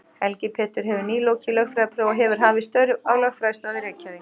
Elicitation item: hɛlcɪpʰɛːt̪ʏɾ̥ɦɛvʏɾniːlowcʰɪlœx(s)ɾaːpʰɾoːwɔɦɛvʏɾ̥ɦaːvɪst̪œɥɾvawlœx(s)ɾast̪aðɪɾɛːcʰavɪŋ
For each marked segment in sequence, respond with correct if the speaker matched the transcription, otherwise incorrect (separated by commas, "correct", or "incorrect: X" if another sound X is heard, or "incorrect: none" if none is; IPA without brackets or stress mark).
incorrect: f, incorrect: f